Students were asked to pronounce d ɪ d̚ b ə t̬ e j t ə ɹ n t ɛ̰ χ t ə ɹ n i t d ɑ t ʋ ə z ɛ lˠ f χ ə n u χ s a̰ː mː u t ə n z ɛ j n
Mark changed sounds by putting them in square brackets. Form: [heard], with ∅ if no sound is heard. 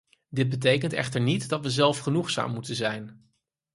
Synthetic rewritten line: d ɪ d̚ b ə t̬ e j [k] ə [∅] n t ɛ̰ χ t ə ɹ n i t d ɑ t ʋ ə z ɛ lˠ f χ ə n u χ s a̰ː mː u t ə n z ɛ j n